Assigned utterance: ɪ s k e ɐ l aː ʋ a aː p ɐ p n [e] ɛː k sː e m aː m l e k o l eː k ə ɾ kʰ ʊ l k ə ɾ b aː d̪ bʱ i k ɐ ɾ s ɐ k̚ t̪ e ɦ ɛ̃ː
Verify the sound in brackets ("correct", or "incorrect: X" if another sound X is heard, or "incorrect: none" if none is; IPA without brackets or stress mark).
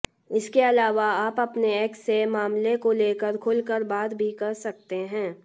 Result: correct